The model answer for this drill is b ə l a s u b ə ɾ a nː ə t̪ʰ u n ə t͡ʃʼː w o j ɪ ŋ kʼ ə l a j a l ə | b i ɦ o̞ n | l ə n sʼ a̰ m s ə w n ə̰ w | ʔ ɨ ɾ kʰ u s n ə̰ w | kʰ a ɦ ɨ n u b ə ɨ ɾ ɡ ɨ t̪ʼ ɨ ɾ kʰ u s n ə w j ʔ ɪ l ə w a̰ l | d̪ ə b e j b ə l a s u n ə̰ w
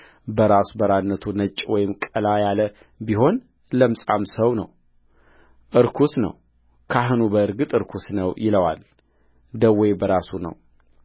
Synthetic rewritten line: b ə ɾ a s u b ə ɾ a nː ə t̪ʰ u n ə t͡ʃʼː w ɔ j ɪ m kʼ ə l a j a l ə | b i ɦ o̞ n | l ə m sʼ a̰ m s ə w n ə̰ w | ʔ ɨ ɾ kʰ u s n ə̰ w | kʰ a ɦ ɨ n u b ə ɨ ɾ ɡ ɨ t̪ʼ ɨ ɾ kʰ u s n ə w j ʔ ɪ l ə w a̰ l | d̪ ə w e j b ə ɾ a s u n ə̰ w